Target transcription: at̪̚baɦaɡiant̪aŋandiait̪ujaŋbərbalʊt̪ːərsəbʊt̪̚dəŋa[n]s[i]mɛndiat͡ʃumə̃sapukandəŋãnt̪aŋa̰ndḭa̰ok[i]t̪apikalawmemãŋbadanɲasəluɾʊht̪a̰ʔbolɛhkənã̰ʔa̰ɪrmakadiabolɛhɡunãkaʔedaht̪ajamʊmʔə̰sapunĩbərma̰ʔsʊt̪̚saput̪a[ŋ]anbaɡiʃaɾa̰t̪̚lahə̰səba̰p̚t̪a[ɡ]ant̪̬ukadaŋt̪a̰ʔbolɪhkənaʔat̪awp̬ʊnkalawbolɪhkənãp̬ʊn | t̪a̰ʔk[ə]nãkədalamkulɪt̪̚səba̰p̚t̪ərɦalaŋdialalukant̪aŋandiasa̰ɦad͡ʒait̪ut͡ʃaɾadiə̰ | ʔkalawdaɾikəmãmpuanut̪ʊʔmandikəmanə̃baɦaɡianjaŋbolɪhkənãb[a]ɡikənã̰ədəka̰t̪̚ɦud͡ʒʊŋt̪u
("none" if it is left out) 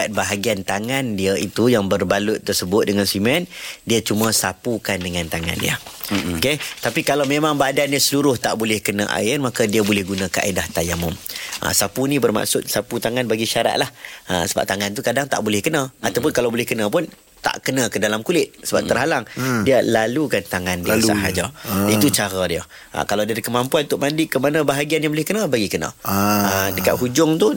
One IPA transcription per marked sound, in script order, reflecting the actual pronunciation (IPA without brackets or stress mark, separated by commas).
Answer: n, i, e, ŋ, ŋ, ə, a